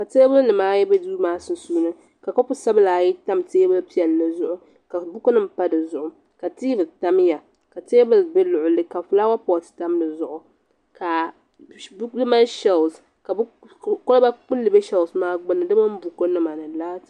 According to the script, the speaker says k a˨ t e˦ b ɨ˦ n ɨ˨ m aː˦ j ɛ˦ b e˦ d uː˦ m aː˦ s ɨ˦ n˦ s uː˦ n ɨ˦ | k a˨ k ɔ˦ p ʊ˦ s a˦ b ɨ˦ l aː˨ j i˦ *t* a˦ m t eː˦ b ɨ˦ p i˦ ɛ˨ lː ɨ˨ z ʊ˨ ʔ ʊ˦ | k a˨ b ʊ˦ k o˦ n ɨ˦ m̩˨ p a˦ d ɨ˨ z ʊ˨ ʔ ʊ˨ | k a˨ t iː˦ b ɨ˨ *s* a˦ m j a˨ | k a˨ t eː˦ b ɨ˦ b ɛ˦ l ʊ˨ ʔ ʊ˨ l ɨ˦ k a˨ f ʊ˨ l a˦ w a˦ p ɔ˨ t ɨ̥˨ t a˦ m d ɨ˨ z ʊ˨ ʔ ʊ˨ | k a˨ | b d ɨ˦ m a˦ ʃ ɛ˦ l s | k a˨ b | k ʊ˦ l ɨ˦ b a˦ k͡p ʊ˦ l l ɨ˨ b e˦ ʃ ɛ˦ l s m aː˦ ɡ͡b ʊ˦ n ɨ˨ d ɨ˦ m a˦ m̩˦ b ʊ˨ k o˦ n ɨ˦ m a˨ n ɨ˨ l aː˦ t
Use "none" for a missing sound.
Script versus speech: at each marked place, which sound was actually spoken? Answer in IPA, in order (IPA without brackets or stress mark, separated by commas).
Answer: t, t